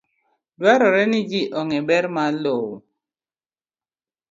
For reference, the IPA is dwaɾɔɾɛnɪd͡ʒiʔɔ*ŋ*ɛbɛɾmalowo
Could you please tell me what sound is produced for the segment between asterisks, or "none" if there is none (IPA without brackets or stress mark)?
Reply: ŋ